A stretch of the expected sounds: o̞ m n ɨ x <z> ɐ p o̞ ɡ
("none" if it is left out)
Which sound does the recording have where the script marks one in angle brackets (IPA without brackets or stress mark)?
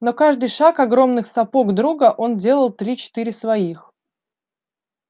s